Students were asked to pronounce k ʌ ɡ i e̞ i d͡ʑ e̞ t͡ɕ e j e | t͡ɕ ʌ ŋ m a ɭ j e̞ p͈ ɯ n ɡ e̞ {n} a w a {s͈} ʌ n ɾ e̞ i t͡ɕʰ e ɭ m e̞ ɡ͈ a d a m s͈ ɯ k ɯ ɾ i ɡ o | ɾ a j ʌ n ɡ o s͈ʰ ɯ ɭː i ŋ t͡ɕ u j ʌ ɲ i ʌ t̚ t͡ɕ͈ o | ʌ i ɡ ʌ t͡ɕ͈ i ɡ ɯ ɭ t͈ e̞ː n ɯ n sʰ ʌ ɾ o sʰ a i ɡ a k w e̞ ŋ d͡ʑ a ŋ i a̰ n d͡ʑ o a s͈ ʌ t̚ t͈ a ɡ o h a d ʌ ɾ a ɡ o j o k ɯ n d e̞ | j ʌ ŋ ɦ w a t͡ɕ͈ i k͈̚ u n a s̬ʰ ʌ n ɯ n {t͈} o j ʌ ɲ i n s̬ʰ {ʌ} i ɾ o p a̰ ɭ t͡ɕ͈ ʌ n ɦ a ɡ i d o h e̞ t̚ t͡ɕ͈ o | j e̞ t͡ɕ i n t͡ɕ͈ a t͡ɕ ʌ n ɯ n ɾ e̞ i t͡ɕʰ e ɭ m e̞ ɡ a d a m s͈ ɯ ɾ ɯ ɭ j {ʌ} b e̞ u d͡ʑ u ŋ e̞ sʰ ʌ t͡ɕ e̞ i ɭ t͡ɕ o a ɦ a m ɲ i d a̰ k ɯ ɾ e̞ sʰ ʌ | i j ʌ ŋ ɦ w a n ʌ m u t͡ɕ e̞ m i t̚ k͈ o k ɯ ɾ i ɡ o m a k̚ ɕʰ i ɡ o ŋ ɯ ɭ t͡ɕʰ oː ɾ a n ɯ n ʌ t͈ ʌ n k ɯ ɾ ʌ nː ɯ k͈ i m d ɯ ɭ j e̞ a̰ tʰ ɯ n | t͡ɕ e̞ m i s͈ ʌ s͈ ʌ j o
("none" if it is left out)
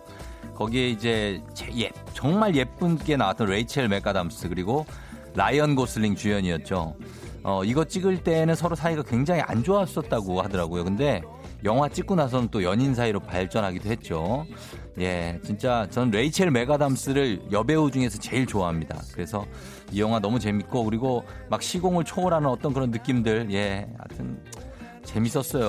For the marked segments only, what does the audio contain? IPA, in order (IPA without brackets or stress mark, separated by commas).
n, t͈, t͈, a, ʌ